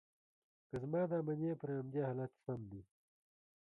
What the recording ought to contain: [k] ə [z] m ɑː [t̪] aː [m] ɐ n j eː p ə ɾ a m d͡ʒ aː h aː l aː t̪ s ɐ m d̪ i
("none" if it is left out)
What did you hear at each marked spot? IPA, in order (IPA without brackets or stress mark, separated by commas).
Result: k, z, d̪, m